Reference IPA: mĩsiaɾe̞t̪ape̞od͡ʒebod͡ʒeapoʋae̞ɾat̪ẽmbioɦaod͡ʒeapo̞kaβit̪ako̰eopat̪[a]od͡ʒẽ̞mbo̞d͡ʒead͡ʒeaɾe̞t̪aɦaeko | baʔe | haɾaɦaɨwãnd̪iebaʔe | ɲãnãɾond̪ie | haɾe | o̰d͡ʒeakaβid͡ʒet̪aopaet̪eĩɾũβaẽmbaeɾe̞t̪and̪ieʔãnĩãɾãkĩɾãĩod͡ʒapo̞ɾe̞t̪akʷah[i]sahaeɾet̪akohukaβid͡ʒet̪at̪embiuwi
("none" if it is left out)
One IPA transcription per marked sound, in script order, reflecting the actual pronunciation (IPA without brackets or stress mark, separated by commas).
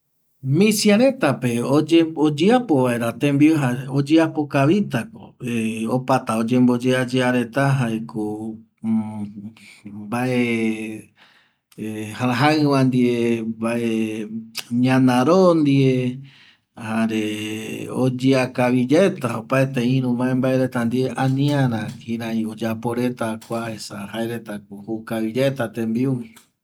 a, e